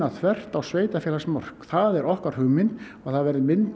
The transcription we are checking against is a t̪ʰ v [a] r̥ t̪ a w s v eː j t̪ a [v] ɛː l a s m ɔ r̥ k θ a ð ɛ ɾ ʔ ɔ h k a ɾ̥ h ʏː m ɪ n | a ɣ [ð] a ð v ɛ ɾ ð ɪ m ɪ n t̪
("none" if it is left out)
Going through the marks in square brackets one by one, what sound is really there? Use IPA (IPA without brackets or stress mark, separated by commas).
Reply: ɛ, f, θ